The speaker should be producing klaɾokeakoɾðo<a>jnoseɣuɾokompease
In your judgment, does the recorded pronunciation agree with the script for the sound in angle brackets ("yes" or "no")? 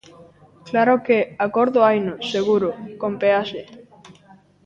yes